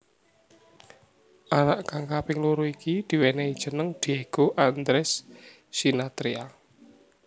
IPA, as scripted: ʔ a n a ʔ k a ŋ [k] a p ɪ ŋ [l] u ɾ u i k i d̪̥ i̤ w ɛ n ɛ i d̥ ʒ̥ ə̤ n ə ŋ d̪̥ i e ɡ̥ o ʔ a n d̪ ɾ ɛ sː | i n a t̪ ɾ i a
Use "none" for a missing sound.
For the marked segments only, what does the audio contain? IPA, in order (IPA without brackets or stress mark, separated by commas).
k, l